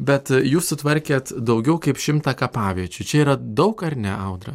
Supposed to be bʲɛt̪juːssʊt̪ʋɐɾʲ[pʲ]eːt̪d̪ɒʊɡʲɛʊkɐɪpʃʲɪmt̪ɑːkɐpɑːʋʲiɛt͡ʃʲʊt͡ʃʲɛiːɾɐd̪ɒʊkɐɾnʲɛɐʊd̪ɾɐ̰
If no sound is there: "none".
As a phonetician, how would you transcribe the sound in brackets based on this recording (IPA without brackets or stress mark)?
kʲ